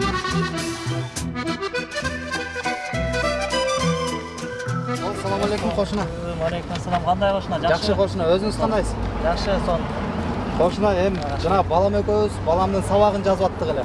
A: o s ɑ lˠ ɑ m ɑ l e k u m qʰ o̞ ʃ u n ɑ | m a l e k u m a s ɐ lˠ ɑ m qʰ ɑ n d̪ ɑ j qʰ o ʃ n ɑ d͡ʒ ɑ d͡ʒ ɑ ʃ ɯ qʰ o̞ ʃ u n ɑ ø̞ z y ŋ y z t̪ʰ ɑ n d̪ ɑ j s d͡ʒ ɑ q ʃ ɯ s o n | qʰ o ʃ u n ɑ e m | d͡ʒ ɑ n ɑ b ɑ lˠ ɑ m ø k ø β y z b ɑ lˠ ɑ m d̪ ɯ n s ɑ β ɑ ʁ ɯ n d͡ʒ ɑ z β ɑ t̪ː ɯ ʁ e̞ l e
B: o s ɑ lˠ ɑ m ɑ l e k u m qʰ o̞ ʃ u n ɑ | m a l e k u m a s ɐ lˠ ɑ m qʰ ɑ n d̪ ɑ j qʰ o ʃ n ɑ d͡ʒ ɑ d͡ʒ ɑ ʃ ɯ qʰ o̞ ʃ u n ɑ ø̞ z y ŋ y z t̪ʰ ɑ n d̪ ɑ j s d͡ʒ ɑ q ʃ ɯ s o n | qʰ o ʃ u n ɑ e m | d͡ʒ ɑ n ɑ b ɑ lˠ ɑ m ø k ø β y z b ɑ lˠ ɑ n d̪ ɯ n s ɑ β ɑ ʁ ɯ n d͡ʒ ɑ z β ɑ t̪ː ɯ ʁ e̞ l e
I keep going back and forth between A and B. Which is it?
A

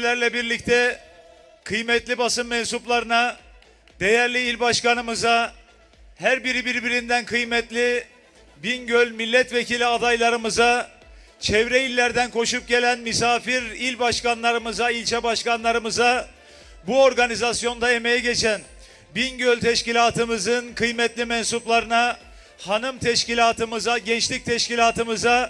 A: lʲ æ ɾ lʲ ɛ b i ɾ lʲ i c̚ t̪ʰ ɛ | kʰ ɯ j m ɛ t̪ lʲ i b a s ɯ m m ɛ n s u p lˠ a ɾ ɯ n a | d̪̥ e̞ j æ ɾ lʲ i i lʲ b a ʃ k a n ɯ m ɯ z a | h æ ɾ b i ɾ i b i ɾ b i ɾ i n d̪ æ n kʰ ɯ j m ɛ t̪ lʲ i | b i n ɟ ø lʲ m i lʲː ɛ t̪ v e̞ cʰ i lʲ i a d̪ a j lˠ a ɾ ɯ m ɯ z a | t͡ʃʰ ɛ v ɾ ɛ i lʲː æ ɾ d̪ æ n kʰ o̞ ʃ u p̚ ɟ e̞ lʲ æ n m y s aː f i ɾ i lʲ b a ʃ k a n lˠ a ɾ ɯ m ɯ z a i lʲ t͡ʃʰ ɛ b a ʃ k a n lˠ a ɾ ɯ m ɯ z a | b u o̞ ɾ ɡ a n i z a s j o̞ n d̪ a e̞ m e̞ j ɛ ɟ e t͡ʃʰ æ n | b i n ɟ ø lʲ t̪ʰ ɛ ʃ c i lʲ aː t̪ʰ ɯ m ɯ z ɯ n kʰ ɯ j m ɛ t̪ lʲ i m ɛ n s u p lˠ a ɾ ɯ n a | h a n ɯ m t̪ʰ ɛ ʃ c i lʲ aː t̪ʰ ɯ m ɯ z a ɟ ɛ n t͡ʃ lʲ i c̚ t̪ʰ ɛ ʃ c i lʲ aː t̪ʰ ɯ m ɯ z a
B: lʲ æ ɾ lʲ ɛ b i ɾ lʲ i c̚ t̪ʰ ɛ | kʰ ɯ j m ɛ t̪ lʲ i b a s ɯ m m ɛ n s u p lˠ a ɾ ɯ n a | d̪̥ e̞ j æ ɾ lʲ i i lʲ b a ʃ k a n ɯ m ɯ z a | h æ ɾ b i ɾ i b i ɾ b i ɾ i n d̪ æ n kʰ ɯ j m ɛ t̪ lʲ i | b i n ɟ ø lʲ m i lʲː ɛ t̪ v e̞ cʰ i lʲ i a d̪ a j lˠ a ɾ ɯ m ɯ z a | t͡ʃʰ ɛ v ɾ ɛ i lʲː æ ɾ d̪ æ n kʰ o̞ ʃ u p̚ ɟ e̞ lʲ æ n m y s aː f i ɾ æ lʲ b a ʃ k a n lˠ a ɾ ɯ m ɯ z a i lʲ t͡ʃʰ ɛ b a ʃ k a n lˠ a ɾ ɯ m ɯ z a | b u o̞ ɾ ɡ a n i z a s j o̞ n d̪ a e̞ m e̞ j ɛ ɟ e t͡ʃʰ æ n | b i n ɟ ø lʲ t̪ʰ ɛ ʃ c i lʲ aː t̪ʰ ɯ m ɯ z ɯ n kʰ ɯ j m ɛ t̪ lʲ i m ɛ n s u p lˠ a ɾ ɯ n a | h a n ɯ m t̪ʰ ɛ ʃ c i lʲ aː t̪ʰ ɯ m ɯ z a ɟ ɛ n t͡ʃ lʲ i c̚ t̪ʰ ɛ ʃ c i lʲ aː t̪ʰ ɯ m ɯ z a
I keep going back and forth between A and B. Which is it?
A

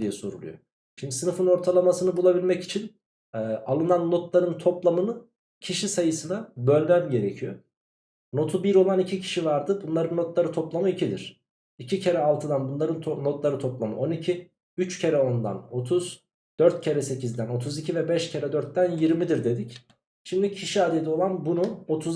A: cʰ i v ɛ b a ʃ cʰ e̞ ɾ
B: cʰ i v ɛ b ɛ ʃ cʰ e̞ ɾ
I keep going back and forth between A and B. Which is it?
B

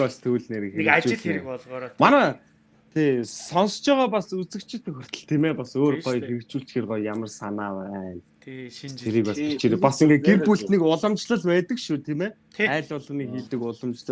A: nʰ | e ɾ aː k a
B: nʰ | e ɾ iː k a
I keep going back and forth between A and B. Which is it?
B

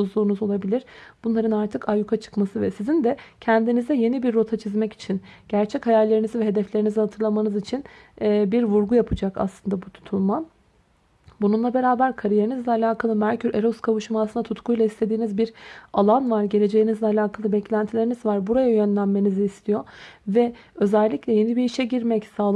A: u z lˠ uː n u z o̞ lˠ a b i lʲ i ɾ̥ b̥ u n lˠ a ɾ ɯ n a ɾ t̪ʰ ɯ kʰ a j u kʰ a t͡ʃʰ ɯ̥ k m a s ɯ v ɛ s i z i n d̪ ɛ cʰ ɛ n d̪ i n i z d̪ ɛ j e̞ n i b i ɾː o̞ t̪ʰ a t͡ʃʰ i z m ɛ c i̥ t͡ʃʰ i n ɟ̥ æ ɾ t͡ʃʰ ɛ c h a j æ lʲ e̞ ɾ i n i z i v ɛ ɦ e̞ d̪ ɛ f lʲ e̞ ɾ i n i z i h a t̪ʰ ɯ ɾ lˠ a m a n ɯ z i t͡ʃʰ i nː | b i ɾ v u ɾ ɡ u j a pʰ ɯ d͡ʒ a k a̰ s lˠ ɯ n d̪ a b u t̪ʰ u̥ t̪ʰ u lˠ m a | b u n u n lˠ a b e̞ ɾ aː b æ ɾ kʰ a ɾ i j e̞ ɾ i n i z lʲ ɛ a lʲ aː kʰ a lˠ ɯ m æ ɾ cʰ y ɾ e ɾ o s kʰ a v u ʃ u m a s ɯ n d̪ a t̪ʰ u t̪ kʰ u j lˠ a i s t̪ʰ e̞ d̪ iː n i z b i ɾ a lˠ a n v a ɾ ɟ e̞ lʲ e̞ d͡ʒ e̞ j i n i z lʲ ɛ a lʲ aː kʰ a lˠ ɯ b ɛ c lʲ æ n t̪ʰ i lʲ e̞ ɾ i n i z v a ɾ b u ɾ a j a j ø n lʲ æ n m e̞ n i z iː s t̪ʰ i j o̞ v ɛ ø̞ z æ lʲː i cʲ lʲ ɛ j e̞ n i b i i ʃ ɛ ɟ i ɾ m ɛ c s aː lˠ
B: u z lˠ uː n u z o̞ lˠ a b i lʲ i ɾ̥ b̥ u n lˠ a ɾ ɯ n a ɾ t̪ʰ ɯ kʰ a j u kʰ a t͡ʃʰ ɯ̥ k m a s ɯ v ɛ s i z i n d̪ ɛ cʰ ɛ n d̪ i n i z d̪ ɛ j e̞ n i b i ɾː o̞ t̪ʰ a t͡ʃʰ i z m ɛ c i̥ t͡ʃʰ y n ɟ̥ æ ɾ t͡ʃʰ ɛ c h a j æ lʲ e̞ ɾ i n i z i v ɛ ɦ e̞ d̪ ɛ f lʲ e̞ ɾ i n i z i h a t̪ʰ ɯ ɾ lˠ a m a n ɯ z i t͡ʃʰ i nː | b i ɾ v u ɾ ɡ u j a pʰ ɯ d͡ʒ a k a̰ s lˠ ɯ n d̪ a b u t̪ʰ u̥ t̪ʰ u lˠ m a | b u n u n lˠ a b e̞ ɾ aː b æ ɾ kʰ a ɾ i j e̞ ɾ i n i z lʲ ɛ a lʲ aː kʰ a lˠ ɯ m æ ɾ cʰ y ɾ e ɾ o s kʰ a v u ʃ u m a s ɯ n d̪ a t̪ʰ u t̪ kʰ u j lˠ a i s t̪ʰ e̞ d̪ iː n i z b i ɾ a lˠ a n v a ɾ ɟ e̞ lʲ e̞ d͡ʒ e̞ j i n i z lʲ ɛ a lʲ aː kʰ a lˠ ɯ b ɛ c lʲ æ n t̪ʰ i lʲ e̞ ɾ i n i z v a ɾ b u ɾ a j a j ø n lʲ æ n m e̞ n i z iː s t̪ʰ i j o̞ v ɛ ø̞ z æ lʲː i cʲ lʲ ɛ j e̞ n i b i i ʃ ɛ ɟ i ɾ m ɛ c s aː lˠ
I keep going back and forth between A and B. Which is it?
A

